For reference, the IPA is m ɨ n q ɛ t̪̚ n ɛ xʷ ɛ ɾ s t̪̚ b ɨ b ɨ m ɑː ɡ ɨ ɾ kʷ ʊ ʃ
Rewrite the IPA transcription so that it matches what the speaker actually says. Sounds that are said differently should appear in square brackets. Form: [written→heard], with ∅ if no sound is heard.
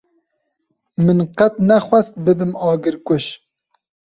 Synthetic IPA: m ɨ n q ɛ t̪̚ n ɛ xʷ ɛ [ɾ→∅] s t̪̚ b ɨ b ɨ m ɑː ɡ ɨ ɾ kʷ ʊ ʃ